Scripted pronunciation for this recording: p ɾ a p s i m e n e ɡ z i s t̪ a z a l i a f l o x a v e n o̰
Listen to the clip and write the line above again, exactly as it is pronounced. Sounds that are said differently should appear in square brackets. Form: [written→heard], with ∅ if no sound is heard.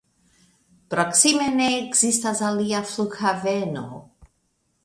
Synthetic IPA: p ɾ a [p→k] s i m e n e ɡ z i s t̪ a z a l i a f l [o→u] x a v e n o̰

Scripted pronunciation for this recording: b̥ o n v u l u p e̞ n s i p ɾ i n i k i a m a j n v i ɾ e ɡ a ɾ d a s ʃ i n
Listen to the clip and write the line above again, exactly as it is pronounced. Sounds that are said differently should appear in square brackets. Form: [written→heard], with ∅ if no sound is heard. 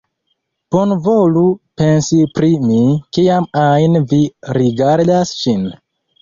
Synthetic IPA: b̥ o n v [u→o] l u p e̞ n s i p ɾ i [n→m] i k i a m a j n v i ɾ [e→i] ɡ a ɾ d a s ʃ i n

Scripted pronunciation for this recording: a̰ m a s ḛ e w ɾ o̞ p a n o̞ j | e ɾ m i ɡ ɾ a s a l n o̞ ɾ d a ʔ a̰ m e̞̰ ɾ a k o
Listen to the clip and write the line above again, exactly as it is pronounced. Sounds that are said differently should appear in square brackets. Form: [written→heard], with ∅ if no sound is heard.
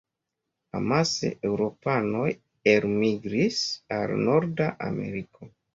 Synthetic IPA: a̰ m a s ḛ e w ɾ o̞ p a n o̞ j | e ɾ m i ɡ ɾ [a→i] s a l n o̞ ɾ d a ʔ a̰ m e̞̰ ɾ [a→i] k o

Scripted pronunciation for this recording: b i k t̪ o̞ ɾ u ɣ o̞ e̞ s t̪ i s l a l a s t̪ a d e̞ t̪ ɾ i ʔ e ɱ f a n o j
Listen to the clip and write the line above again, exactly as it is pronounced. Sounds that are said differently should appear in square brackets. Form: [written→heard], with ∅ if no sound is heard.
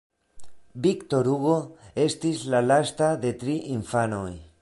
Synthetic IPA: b i k t̪ o̞ ɾ u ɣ o̞ e̞ s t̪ i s l a l a s t̪ a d e̞ t̪ ɾ i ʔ [e→i] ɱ f a n o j

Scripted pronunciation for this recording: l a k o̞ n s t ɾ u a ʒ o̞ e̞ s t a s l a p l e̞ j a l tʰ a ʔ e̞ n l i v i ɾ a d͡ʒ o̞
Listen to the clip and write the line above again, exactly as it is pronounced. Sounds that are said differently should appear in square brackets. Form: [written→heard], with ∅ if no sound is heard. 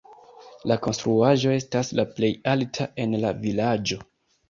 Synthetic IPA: l a k o̞ n s t ɾ u a ʒ o̞ e̞ s t a s l a p l e̞ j a l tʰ a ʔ e̞ n l [i→a] v i [ɾ→l] a d͡ʒ o̞

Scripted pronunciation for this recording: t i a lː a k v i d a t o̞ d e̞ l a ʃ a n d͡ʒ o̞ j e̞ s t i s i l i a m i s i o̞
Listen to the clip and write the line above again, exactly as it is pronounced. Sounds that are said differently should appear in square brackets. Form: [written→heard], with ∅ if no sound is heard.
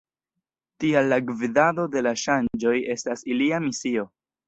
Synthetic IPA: t i a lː a [k→ɡ] v i d a [t→d] o̞ d e̞ l a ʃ a n d͡ʒ o̞ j e̞ s t [i→a] s i l i a m i s i o̞

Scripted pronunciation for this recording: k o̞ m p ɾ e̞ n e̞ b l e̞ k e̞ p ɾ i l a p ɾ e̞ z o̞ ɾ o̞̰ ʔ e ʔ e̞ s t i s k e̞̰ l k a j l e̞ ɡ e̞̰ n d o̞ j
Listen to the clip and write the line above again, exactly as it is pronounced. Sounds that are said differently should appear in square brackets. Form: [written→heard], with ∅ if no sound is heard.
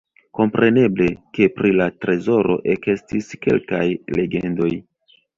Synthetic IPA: k o̞ m p ɾ e̞ n e̞ b l e̞ k e̞ p ɾ i l a [p→t] ɾ e̞ z o̞ ɾ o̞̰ ʔ e [ʔ→k] e̞ s t i s k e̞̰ l k a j l e̞ ɡ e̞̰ n d o̞ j

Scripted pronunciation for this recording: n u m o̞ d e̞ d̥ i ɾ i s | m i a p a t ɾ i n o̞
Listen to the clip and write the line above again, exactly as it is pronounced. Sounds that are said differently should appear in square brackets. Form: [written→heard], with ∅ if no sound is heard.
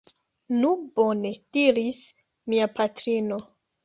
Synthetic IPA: n u [m→b] o̞ [d→n] e̞ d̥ i ɾ i s | m i a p a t ɾ i n o̞

